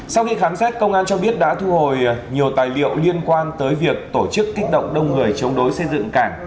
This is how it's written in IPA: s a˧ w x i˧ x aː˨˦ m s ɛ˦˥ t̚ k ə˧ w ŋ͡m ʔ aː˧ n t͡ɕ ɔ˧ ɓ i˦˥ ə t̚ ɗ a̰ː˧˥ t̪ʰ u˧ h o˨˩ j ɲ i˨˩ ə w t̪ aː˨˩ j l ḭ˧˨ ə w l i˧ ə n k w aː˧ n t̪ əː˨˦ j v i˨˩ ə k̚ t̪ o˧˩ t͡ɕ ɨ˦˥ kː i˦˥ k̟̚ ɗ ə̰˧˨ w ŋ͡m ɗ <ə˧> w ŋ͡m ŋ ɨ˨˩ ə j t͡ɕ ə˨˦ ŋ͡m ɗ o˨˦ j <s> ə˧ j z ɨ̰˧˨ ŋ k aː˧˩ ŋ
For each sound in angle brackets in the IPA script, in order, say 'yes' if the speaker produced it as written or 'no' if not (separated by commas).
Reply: yes, yes